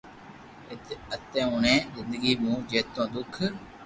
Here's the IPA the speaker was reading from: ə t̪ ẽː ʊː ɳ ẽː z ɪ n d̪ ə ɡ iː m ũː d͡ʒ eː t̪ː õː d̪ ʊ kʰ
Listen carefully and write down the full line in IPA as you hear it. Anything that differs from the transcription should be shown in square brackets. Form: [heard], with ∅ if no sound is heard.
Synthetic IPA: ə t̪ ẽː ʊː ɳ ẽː z ɪ n d̪ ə ɡ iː m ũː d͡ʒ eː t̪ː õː d̪ ʊ kʰ